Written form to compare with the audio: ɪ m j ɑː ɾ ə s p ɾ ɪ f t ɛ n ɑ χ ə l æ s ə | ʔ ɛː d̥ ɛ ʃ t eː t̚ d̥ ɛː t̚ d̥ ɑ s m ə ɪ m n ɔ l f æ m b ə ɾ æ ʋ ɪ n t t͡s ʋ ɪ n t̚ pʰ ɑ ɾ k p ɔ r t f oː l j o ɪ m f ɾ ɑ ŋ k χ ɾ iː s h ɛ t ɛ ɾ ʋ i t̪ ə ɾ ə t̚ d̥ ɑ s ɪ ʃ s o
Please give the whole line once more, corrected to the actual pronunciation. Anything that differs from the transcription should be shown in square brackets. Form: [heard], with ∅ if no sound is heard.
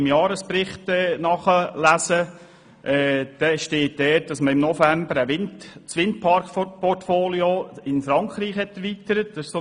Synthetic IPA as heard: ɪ m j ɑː ɾ ə s p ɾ ɪ [χ] t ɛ n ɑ χ ə l æ s ə | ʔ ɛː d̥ ɛ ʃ t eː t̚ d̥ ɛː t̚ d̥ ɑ s m ə ɪ m n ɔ [∅] f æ m b ə ɾ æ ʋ ɪ n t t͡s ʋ ɪ n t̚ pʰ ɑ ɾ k p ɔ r t f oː l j o ɪ [n] f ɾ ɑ ŋ k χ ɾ iː [χ] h ɛ t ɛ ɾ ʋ i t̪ ə ɾ ə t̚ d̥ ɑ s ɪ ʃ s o